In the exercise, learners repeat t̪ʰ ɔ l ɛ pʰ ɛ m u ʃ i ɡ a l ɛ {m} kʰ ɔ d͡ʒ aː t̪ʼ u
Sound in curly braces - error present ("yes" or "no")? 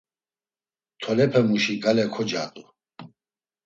yes